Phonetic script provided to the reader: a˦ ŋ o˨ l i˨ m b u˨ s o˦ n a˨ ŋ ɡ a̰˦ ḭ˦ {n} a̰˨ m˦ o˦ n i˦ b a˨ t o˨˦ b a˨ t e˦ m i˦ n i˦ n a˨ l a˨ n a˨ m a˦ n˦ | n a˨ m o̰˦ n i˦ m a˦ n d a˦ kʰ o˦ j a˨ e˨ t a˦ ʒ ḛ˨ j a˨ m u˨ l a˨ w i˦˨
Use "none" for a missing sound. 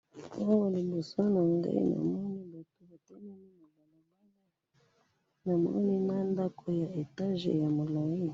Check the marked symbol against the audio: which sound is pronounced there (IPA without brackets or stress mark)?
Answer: n